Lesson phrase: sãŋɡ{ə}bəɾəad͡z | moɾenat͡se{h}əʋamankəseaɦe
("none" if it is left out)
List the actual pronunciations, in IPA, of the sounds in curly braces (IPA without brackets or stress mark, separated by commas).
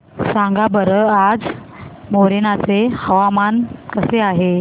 a, h